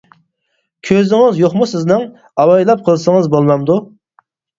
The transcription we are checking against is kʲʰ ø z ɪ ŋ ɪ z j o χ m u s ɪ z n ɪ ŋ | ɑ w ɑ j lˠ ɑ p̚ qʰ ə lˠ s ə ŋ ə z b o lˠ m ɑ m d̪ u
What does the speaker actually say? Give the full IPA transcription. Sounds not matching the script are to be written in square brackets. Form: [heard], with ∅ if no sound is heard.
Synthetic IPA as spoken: kʲʰ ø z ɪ ŋ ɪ z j o χ m u s ɪ z n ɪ ŋ | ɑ w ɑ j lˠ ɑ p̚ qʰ ə lˠ s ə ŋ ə z b o lˠ m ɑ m d̪ u